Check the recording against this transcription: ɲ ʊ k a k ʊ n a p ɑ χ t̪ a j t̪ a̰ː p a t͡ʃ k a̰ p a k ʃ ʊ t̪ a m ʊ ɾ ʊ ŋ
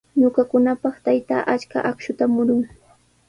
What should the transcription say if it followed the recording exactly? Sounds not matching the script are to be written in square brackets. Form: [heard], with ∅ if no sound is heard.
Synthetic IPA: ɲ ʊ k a k ʊ n a p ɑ χ t̪ a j t̪ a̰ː [ʔ] a t͡ʃ k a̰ [ʔ] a k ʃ ʊ t̪ a m ʊ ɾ ʊ ŋ